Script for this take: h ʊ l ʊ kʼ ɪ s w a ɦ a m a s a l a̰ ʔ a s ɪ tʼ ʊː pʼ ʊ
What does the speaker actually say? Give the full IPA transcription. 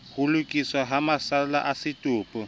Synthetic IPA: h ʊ l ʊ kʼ i s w a ɦ a m a s a l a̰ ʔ a s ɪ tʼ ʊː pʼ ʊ